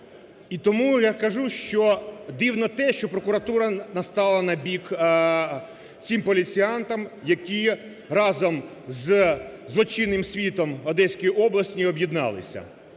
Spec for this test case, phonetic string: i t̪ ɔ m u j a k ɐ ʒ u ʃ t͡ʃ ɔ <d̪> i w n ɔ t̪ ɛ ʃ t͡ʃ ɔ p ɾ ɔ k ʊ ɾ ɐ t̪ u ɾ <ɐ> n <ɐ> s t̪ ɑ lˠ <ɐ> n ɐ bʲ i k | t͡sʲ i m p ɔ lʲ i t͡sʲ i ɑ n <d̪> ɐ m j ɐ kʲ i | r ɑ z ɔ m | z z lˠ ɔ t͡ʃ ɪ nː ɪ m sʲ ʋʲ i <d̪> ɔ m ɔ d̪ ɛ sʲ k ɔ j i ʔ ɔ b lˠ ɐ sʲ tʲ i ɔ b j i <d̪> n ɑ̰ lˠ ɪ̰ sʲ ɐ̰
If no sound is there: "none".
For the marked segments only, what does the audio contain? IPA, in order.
d̪, ɐ, ɐ, ɐ, t̪, t̪, d̪

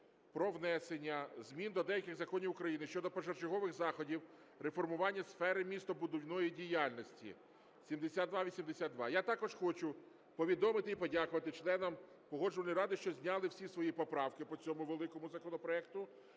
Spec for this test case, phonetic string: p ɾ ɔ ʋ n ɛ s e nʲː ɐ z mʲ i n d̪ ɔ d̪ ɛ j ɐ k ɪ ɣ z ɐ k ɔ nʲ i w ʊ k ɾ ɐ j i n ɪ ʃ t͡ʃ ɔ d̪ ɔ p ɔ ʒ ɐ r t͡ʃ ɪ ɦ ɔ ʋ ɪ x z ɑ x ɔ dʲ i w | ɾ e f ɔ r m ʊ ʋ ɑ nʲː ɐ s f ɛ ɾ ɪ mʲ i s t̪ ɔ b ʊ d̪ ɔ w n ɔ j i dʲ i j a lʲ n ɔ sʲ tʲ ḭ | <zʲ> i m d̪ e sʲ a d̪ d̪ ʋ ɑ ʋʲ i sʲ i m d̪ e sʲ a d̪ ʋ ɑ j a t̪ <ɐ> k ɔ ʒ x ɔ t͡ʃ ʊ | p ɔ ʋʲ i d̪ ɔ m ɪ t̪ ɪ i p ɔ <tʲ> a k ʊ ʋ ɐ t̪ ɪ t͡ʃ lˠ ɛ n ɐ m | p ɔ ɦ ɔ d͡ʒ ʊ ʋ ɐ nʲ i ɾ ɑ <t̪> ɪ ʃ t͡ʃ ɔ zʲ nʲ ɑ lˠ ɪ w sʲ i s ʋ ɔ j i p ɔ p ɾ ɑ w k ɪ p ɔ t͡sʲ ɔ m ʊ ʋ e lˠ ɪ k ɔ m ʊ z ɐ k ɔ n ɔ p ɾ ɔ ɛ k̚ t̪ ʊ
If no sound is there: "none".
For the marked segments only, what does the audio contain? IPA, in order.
sʲ, ɑ, dʲ, d̪

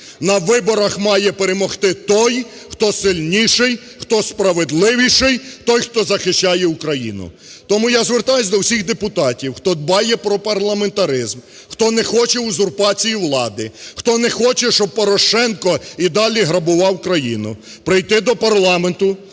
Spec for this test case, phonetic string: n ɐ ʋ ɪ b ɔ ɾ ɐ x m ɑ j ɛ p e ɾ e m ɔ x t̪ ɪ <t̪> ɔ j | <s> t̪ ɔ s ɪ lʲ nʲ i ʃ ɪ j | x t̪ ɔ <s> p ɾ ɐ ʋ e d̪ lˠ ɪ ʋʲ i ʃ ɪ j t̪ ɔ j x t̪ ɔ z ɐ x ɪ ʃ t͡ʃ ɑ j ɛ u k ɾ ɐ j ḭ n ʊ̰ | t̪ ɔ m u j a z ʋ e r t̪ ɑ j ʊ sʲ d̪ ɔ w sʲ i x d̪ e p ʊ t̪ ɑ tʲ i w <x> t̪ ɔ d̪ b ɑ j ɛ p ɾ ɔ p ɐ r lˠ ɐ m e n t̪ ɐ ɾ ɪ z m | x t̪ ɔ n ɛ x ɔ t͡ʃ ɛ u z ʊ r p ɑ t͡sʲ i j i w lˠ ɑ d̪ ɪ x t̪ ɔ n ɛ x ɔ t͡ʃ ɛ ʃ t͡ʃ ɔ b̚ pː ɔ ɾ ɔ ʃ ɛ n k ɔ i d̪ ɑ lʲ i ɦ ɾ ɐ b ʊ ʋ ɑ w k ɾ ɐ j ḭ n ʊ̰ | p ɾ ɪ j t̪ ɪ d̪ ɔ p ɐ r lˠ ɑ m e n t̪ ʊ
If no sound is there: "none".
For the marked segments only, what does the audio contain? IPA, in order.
t̪, x, s, x

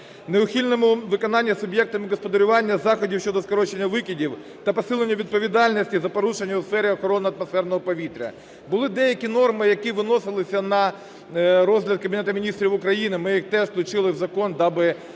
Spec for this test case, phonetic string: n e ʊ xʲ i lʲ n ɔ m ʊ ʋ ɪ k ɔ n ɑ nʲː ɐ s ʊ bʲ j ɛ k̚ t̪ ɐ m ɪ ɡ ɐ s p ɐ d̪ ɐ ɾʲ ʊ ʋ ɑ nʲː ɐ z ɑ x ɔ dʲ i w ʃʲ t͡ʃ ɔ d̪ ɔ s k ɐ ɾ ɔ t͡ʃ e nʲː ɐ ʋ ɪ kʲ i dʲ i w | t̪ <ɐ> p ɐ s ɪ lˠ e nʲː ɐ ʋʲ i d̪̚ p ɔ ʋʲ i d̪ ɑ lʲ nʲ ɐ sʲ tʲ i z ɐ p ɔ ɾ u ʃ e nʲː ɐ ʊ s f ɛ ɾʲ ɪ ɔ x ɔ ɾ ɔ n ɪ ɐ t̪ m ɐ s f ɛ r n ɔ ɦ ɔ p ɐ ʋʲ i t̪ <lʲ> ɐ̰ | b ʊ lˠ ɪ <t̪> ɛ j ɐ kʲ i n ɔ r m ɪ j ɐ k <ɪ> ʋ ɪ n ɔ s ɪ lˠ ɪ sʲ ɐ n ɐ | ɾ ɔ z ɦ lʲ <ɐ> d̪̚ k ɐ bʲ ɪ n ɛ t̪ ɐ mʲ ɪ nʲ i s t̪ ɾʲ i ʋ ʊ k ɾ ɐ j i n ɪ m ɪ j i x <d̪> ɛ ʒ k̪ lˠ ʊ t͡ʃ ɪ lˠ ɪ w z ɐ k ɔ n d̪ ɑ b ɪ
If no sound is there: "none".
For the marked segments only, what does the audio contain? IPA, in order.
ɐ, ɾʲ, d̪, i, ɐ, t̪

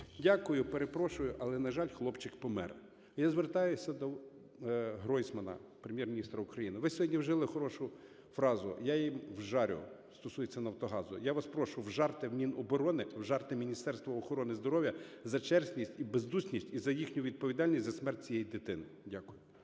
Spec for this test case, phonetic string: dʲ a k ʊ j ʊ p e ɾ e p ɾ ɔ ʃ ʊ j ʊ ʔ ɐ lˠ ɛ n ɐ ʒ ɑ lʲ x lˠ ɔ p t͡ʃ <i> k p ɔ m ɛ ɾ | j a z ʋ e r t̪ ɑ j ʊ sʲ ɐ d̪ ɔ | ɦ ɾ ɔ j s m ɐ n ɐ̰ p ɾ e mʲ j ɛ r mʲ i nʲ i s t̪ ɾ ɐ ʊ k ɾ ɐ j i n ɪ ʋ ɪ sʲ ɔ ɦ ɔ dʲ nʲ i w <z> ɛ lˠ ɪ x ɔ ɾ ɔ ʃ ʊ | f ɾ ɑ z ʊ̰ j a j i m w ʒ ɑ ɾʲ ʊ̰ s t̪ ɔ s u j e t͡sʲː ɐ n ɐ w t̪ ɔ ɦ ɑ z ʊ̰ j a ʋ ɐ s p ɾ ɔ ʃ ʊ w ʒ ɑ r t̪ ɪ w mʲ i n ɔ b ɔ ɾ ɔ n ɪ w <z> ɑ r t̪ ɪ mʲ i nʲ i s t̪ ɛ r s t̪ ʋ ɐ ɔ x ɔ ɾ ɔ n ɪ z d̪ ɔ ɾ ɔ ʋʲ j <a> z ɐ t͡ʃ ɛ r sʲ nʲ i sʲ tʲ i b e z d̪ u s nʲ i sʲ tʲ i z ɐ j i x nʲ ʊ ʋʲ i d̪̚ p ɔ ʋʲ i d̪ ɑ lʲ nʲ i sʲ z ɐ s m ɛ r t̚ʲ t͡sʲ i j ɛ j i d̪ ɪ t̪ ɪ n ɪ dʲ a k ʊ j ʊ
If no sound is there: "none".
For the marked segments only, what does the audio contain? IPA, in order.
ɪ, ʒ, ʒ, ɐ

